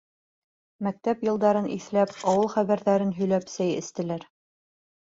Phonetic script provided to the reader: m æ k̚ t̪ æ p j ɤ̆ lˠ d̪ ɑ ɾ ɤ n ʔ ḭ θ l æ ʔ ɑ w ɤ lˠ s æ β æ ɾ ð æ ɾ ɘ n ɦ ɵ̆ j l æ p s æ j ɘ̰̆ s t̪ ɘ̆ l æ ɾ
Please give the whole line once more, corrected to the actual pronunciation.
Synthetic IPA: m æ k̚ t̪ æ p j ɤ̆ lˠ d̪ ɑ ɾ ɤ n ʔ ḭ θ l æ p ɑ w ɤ lˠ χ æ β æ ɾ ð æ ɾ ɘ n ɦ ɵ̆ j l æ p s æ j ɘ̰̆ s t̪ ɘ̆ l æ ɾ